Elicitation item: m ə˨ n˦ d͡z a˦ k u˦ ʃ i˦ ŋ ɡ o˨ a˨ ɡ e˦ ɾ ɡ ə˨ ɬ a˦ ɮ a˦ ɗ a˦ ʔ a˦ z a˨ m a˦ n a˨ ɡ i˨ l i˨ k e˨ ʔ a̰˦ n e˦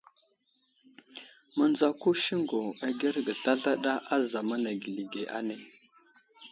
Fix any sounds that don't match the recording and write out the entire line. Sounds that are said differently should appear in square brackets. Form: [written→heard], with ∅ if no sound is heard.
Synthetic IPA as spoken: m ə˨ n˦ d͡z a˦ k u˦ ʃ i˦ ŋ ɡ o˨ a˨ ɡ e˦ ɾ ɡ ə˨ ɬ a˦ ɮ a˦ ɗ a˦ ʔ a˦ z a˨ m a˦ n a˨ ɡ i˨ l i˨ [k→ɡ] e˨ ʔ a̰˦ n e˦